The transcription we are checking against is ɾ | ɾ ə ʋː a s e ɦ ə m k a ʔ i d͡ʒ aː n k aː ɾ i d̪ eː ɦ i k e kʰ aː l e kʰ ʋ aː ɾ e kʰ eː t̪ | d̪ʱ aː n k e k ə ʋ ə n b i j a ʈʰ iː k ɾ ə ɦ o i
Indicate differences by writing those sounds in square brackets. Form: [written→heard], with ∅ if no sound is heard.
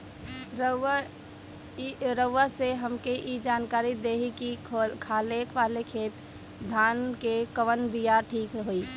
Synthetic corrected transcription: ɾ | ɾ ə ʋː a s e ɦ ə m k [a→e] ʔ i d͡ʒ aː n k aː ɾ i d̪ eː ɦ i k [e→i] kʰ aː l e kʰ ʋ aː [ɾ→l] e kʰ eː t̪ | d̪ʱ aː n k e k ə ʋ ə n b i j a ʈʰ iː k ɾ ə ɦ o i